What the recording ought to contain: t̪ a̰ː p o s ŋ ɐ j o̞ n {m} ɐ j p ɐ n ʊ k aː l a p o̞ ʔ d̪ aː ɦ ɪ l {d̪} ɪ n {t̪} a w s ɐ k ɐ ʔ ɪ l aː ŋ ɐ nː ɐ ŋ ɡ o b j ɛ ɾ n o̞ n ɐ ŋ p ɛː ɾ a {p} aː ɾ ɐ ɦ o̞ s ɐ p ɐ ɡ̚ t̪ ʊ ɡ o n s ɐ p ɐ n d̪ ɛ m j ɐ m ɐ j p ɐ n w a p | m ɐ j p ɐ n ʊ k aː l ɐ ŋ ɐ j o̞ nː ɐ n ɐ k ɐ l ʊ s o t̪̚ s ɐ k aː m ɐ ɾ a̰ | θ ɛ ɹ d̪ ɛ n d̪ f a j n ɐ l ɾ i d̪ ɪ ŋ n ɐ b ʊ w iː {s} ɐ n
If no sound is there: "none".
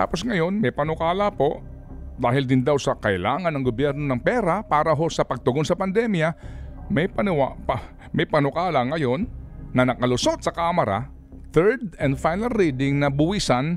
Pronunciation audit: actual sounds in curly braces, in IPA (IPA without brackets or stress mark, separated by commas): m, d̪, d̪, p, s